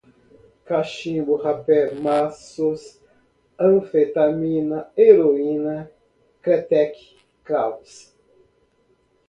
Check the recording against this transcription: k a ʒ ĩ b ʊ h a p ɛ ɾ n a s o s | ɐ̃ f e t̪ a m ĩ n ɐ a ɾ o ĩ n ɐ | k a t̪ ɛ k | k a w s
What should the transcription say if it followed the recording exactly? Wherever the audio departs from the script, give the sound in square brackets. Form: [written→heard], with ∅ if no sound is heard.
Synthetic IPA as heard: k a [ʒ→ʃ] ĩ b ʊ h a p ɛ ɾ [n→m] a s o s | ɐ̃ f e t̪ a m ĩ n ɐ [a→e] ɾ o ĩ n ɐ | k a t̪ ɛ k | k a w s